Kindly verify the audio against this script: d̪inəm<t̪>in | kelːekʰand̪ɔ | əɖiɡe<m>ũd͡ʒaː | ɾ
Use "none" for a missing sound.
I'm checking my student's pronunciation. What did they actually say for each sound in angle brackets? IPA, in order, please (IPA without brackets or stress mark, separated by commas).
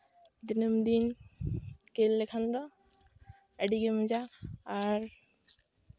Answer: d̪, m